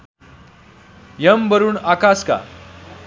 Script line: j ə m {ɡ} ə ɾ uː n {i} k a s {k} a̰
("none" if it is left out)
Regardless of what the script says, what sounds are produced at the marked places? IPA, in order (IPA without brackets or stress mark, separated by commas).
b, a, k